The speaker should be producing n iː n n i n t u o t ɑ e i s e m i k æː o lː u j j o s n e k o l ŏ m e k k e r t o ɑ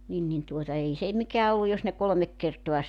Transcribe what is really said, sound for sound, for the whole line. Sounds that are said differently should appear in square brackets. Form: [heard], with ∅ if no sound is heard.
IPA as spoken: n [i] n n i n t u o t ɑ e i s e m i k æː o lː u j j o s n e k o l ŏ m e k k e r t o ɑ